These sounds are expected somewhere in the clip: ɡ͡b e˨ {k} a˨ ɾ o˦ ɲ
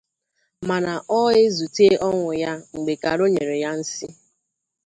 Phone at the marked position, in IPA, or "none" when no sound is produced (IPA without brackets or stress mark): k